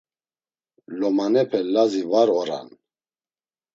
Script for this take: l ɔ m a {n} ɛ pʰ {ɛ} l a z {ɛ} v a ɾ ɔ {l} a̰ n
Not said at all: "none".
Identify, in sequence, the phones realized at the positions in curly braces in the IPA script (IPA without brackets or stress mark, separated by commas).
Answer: n, ɛ, i, ɾ